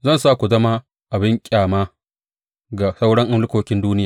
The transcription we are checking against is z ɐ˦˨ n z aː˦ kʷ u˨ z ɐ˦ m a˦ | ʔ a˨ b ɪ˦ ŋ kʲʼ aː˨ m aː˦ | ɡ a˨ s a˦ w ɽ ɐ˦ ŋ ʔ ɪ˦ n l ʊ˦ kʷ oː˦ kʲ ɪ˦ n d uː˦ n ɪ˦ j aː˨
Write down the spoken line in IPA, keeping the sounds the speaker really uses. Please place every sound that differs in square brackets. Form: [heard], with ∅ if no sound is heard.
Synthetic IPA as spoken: z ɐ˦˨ n [s] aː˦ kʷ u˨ z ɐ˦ m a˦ | ʔ a˨ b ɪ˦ ŋ kʲʼ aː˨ m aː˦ | ɡ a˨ s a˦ w ɽ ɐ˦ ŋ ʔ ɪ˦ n l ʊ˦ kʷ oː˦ kʲ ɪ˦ n d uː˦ n ɪ˦ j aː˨